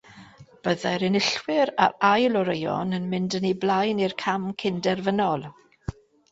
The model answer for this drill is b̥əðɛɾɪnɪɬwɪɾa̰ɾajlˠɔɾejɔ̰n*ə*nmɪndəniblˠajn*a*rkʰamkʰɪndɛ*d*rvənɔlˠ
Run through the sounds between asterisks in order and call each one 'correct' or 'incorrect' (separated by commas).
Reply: correct, incorrect, incorrect